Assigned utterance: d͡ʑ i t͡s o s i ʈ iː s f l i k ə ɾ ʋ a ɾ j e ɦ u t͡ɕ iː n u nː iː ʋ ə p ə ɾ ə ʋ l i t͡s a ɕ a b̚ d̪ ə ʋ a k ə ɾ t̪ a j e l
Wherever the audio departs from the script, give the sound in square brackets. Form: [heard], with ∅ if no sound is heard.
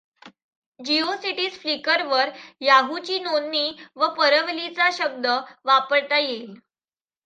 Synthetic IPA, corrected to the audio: d͡ʑ i [∅] o s i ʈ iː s f l i k ə ɾ ʋ [ə] ɾ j [a] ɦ u t͡ɕ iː n [o] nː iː ʋ ə p ə ɾ ə ʋ l i t͡s a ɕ [ə] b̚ d̪ ə ʋ a [p] ə ɾ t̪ a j e l